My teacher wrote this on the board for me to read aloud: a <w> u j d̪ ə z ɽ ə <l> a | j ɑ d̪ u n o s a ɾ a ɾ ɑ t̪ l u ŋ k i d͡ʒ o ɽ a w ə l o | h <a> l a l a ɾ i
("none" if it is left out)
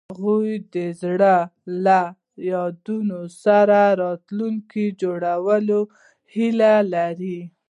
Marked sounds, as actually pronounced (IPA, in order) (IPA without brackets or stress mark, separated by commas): ɣ, l, i